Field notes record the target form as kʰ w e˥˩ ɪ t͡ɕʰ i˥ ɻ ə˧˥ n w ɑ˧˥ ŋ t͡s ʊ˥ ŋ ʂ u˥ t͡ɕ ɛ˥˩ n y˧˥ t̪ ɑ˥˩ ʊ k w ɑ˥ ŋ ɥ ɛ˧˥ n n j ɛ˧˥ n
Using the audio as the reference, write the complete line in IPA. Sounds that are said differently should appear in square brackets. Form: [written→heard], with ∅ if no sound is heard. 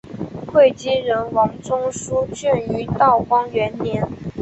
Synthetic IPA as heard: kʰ w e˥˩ ɪ [t͡ɕʰ→t͡ɕ] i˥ ɻ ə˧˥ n w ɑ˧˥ ŋ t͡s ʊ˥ ŋ ʂ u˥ t͡ɕ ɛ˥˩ n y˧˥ t̪ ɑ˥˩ ʊ k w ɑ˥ ŋ ɥ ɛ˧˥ n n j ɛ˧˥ n